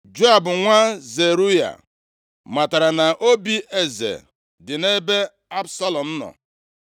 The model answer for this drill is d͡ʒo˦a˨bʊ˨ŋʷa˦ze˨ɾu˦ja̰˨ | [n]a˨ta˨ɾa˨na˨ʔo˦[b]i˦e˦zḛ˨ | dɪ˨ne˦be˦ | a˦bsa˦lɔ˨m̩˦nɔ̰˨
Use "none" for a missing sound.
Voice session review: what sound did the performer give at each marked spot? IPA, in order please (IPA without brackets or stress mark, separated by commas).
m, b